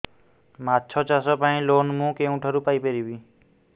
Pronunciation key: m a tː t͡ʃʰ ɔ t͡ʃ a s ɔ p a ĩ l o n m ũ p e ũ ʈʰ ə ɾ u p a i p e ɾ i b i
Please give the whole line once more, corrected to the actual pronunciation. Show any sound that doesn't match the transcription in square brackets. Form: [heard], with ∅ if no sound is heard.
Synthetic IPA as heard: m a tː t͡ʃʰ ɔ t͡ʃ a s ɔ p a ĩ l o n m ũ [k] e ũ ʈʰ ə ɾ u p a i p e ɾ i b i

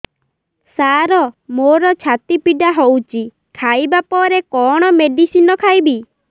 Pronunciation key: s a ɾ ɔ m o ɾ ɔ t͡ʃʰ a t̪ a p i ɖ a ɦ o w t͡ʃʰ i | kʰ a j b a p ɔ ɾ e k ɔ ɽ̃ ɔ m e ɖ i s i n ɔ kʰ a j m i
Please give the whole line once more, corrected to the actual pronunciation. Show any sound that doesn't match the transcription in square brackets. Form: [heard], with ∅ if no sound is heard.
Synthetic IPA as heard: s a ɾ ɔ m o ɾ ɔ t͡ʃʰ a t̪ [i] p i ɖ a ɦ o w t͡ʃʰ i | kʰ a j b a p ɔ ɾ e k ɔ ɽ̃ ɔ m e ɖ i s i n ɔ kʰ a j [b] i

